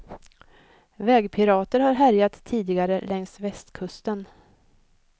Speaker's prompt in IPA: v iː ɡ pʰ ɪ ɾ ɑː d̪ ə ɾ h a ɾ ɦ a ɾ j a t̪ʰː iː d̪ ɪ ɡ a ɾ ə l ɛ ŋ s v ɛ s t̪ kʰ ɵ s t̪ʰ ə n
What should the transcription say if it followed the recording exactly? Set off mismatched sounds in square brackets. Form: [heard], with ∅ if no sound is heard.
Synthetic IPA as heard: v [ɛː] ɡ pʰ ɪ ɾ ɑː [t̪] ə ɾ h a ɾ ɦ [æ] ɾ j a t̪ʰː iː d̪ ɪ ɡ a ɾ ə l ɛ ŋ s v ɛ s t̪ kʰ ɵ s [t̪] ə n